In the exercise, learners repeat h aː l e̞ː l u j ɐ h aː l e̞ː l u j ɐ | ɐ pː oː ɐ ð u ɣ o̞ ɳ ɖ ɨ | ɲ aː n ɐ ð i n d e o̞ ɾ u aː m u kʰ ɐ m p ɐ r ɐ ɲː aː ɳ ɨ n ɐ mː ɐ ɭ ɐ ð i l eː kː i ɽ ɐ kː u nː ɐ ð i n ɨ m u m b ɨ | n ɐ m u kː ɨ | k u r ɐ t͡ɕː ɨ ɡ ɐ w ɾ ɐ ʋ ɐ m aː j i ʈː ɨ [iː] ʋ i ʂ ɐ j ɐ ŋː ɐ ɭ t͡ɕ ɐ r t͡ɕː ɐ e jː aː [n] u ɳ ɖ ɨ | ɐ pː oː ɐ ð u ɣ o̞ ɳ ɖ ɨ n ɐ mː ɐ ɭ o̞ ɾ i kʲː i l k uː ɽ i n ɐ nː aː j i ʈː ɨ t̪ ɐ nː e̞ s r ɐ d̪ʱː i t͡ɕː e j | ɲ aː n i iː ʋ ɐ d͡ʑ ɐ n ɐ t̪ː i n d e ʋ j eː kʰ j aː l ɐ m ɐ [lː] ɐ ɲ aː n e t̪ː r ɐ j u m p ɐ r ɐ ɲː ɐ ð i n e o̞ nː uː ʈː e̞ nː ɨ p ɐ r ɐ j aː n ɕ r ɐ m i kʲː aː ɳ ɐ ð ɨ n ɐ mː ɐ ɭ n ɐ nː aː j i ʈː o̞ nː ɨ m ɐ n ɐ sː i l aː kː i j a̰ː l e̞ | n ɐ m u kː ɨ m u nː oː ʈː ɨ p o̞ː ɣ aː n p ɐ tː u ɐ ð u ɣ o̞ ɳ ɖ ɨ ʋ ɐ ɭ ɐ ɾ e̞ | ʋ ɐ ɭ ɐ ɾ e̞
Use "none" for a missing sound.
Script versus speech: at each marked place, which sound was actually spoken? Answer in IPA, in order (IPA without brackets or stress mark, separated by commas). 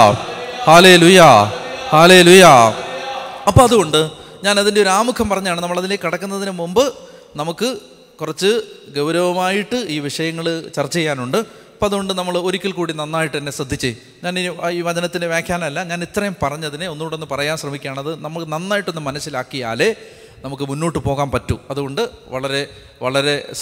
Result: iː, n, lː